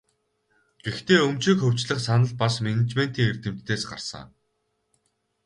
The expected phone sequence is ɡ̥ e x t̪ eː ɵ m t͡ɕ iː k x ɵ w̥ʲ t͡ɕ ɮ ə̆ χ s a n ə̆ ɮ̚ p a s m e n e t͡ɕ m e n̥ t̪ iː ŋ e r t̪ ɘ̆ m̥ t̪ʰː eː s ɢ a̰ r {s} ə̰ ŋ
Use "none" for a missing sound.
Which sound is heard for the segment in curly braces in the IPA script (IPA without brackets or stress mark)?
s